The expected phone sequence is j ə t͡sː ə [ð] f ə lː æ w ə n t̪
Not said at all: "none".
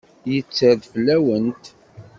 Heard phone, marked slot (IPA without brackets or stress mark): ð